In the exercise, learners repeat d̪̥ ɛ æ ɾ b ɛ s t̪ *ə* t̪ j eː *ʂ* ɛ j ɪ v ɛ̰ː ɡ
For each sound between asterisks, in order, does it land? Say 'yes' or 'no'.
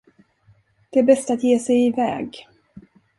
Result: no, no

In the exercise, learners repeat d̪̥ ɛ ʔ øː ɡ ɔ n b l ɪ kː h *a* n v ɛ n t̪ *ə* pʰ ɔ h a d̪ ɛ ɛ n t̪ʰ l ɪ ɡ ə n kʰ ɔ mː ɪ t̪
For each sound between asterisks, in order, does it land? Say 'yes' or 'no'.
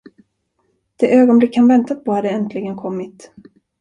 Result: yes, no

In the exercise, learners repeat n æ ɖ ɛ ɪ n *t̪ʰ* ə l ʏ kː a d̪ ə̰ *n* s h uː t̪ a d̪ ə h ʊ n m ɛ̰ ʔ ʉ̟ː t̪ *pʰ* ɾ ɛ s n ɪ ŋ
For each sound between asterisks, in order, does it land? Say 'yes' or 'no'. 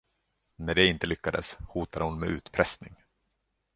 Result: no, no, yes

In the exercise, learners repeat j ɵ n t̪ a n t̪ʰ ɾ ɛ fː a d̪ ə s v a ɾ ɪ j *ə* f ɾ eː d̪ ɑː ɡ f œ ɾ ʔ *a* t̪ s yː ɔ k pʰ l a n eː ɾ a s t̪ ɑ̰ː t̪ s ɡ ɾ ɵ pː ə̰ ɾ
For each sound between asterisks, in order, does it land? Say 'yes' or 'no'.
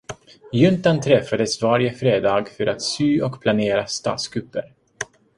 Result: yes, yes

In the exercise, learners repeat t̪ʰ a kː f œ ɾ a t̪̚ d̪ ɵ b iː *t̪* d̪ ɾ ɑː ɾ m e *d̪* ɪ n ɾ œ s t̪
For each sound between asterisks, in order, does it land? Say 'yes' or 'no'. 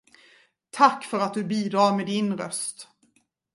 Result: no, yes

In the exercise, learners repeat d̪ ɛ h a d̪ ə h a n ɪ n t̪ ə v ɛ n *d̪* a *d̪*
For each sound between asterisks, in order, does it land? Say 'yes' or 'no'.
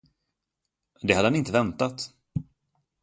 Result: no, no

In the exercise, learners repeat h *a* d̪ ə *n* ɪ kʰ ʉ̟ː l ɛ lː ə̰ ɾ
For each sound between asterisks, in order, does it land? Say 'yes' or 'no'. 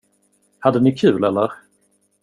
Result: yes, yes

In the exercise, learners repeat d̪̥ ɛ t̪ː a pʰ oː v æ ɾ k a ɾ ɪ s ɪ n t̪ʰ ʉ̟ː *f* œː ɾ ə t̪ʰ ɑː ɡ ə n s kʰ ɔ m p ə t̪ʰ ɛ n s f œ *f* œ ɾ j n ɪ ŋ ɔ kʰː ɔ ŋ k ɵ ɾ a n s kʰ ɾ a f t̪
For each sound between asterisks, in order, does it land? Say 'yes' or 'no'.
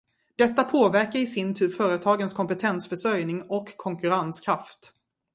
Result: yes, no

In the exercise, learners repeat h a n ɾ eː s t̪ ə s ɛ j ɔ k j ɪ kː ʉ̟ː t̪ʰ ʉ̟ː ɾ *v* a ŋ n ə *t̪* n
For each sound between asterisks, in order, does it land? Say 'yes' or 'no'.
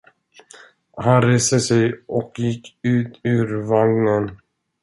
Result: yes, no

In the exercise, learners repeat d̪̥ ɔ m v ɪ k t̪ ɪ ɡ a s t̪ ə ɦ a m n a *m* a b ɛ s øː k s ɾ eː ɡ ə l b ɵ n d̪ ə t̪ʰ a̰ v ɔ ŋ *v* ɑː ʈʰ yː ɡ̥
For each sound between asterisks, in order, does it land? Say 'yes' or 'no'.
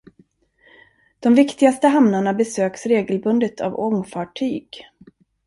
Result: no, no

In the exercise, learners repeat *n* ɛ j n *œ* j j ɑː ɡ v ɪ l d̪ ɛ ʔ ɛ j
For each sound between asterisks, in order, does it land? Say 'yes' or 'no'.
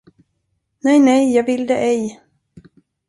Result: yes, no

